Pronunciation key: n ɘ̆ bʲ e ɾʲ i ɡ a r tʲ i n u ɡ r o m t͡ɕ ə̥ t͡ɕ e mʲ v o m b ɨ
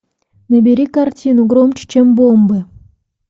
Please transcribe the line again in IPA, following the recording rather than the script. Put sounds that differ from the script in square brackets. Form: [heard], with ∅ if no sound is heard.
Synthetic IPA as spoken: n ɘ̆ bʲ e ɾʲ i [k] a r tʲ i n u ɡ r o m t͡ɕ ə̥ t͡ɕ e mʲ [b] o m b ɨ